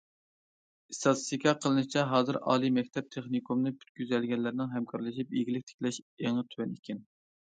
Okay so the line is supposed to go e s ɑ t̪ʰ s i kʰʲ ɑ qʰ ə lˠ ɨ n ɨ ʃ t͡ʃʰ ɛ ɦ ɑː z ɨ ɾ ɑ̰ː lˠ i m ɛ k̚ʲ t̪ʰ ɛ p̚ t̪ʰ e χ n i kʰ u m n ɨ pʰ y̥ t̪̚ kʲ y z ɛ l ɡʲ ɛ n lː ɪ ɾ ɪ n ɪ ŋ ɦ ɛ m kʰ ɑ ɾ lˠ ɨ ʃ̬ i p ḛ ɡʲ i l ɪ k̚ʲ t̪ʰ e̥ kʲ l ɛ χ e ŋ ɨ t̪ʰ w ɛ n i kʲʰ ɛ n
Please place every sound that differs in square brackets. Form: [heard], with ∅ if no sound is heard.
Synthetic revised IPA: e s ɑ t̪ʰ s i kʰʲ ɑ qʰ ə lˠ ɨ n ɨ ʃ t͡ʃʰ ɛ ɦ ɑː z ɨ ɾ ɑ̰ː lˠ i m ɛ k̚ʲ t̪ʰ ɛ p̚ t̪ʰ e χ n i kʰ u m n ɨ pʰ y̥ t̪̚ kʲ y z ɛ l ɡʲ ɛ n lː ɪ ɾ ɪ n ɪ ŋ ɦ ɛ m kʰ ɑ ɾ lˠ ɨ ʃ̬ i p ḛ ɡʲ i l ɪ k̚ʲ t̪ʰ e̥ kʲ l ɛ [ʃ] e ŋ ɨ t̪ʰ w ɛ n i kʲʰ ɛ n